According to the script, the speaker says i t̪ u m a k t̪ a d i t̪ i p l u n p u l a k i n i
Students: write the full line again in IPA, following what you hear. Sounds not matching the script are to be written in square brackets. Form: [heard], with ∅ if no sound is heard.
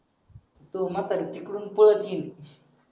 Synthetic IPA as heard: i t̪ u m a [∅] t̪ a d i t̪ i [k] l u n p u l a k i n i

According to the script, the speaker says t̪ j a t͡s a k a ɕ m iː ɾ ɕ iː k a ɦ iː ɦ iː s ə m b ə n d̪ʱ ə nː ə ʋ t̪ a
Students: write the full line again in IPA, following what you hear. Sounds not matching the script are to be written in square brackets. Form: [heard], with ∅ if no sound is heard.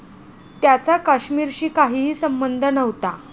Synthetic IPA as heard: t̪ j a t͡s a k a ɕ m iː ɾ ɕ iː k a ɦ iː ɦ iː s ə m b ə n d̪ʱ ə [n] ə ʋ t̪ a

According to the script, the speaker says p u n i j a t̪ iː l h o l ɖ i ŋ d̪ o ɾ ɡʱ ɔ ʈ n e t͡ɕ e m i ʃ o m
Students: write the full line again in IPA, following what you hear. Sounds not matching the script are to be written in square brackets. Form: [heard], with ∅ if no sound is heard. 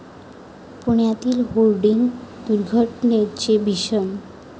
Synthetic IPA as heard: p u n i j a t̪ [i] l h o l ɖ i ŋ d̪ [u] ɾ ɡʱ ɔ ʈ n e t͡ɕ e [b] i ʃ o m

